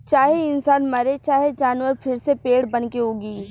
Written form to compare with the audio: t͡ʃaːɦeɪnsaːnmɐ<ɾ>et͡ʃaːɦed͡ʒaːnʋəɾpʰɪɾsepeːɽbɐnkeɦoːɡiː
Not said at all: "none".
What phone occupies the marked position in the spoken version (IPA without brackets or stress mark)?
ɾ